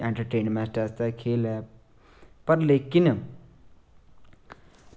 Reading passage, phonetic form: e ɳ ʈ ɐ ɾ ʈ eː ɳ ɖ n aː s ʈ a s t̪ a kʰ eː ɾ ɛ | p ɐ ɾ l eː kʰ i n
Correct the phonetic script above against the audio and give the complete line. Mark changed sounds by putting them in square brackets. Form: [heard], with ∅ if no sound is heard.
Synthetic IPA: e ɳ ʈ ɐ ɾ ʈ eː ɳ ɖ [m] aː s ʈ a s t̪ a kʰ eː [l] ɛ | p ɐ ɾ l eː [k] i n